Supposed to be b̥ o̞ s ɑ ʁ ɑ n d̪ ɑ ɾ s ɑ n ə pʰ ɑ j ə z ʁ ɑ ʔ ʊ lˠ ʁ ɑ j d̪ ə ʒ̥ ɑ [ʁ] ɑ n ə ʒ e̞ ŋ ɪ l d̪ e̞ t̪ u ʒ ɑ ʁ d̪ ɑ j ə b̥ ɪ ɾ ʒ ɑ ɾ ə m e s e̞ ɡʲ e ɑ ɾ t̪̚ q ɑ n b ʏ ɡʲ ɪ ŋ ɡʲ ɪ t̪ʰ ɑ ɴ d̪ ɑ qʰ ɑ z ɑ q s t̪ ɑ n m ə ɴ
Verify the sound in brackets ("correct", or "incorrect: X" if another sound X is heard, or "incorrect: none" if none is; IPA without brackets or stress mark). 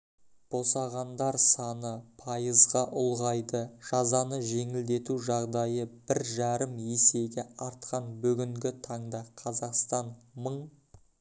incorrect: z